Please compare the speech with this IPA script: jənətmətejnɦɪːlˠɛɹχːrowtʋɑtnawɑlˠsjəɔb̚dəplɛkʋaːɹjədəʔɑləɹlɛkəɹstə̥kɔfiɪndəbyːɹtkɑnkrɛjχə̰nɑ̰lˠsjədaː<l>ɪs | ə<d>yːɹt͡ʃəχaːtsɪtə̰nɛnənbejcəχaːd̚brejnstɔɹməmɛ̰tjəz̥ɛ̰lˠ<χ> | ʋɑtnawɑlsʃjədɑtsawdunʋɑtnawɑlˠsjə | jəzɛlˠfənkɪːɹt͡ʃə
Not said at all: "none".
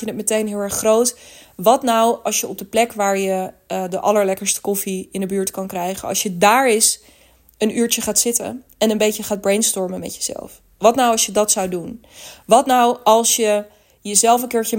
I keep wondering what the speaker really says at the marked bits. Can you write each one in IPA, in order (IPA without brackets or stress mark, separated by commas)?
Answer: ɹ, n, f